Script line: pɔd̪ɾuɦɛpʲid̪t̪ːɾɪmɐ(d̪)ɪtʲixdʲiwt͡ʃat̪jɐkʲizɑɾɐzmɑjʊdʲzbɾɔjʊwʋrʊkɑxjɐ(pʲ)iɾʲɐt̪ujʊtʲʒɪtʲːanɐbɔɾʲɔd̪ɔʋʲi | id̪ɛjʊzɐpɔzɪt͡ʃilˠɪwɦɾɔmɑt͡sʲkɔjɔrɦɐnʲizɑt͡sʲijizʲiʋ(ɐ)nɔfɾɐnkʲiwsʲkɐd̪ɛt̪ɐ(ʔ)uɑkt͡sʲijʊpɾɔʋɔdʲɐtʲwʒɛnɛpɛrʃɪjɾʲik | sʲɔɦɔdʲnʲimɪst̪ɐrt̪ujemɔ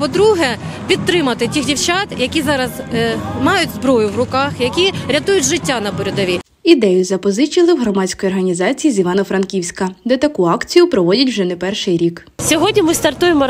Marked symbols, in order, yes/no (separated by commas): no, no, no, no